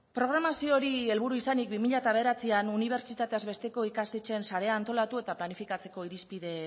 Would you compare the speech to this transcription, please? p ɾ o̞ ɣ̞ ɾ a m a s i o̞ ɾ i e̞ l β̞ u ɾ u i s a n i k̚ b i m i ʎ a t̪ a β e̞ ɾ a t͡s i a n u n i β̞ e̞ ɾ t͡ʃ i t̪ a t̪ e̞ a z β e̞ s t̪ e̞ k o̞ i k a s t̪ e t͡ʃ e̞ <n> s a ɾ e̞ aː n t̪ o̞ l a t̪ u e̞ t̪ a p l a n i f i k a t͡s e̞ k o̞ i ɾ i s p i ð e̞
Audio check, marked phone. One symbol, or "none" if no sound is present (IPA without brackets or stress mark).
n